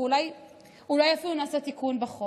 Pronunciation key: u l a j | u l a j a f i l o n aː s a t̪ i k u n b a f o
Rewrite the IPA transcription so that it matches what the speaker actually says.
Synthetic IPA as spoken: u l a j | u l a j a f i l u n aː s a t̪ i k u n b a χ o